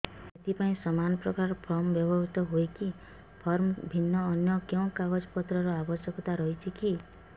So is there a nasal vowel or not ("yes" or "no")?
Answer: yes